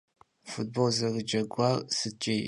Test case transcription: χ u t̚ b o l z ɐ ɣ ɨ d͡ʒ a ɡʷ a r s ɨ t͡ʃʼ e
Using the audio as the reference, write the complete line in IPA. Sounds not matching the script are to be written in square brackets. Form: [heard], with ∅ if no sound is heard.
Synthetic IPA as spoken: [f] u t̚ b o l z ɐ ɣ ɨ d͡ʒ [ɐ] ɡʷ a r s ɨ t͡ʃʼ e